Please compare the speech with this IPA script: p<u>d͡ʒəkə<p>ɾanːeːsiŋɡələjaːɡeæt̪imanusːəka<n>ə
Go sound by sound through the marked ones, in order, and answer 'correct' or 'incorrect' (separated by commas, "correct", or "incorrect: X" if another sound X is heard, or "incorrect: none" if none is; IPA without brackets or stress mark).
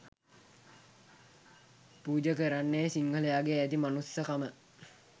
incorrect: uː, incorrect: none, incorrect: m